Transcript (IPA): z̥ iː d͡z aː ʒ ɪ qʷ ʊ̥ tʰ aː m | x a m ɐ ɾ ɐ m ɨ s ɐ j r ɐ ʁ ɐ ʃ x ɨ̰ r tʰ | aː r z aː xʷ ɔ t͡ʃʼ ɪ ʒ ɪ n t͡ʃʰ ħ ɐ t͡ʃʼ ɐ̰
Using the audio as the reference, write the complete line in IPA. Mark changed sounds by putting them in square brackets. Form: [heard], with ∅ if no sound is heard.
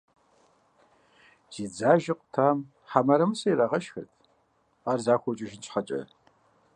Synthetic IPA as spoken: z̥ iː d͡z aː ʒ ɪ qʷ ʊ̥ tʰ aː m | [ħ] a m ɐ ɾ ɐ m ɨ s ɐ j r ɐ ʁ ɐ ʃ x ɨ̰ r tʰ | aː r z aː xʷ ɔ t͡ʃʼ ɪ ʒ ɪ n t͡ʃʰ ħ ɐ t͡ʃʼ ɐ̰